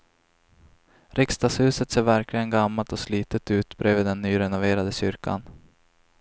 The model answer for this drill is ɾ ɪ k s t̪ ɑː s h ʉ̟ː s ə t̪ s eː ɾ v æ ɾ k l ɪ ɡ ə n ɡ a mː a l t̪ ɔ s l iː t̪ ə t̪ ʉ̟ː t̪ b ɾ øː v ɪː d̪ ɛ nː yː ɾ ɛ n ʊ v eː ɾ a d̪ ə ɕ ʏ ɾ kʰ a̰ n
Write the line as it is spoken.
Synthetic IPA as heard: ɾ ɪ k s t̪ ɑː s h ʉ̟ː s ə t̪ s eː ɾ v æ ɾ k l ɪ ɡ ə n ɡ a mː a l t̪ ɔ s l iː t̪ ə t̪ ʉ̟ː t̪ b ɾ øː v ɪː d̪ ɛ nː yː ɾ ɛ n ʊ v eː ɾ a d̪ ə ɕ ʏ ɾ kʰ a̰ n